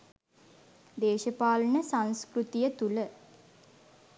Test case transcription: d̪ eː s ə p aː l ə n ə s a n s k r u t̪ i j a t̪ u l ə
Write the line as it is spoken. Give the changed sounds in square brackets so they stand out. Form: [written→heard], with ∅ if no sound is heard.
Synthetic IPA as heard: d̪ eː [s→ʃ] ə p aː l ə n ə s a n s k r u t̪ i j [a→ə] t̪ u l ə